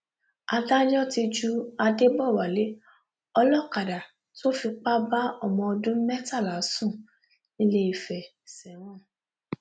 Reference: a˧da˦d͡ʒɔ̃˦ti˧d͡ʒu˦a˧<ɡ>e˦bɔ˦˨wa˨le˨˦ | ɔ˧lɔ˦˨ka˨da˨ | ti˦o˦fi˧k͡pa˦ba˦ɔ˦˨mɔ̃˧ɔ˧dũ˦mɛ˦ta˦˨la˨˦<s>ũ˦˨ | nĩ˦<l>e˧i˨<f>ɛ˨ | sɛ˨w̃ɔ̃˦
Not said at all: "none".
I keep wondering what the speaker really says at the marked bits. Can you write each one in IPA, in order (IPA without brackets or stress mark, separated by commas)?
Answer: d, s, l, f